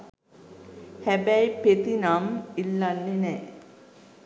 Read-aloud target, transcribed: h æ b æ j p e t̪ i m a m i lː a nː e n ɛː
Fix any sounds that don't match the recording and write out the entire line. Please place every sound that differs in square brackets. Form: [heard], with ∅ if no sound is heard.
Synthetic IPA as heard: h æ b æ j p e t̪ i [n] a m i lː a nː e n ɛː